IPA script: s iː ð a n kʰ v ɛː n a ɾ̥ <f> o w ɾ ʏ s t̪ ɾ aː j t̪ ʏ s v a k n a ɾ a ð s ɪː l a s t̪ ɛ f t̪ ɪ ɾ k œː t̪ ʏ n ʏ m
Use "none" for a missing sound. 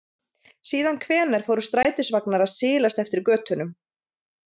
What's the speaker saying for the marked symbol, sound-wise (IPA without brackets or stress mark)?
f